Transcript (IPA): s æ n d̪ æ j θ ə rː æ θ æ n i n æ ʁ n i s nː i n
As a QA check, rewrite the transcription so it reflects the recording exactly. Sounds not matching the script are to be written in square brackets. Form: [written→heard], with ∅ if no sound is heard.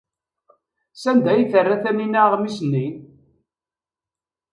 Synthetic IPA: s æ n d̪ æ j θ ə rː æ θ æ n i n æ ʁ [n→m] i s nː i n